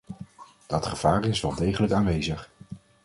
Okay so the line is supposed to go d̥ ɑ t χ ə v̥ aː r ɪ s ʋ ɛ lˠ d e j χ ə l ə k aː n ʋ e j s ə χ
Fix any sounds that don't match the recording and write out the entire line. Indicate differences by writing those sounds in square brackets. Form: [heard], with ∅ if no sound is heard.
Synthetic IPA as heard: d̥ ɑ t χ ə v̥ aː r ɪ s ʋ ɛ lˠ d e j χ ə l ə k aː n ʋ e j [z] ə χ